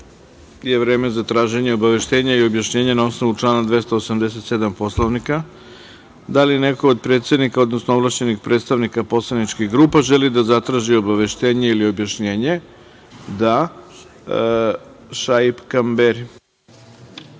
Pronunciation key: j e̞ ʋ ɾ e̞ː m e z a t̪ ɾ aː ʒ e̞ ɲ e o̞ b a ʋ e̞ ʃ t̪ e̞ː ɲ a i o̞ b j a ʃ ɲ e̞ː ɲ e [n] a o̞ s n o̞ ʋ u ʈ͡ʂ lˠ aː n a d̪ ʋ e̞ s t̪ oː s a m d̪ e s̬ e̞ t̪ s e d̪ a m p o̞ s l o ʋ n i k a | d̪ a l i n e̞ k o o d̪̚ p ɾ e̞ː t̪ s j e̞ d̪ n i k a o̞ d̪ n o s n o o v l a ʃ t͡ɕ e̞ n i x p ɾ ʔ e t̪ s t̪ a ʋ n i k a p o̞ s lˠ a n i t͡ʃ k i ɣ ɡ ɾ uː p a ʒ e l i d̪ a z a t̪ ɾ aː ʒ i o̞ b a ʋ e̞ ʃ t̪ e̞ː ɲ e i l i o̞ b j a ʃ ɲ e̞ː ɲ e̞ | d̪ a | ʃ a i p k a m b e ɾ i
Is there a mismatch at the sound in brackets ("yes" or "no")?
no